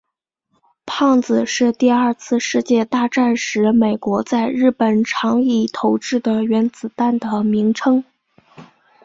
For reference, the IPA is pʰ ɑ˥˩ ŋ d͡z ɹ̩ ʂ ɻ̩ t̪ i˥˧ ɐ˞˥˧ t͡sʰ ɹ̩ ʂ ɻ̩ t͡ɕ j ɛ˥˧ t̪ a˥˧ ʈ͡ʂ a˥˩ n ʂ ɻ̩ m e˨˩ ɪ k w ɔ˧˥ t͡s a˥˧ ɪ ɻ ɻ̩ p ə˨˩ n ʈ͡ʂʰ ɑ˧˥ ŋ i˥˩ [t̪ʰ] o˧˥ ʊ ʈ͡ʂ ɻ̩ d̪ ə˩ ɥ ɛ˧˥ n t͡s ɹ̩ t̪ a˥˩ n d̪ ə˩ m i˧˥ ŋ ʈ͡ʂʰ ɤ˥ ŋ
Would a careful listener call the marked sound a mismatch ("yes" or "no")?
no